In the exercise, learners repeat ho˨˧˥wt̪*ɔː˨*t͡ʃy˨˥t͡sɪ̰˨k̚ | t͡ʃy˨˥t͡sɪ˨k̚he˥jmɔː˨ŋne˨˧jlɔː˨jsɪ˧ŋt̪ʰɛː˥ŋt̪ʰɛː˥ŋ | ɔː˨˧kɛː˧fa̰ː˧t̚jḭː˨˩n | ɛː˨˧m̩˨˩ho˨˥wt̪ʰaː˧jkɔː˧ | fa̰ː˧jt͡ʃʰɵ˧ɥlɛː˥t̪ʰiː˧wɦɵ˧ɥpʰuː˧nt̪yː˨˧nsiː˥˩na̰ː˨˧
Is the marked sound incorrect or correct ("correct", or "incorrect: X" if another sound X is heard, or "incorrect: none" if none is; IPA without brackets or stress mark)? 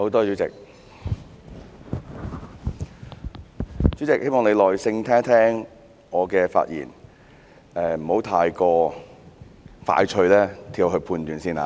incorrect: ɔː˥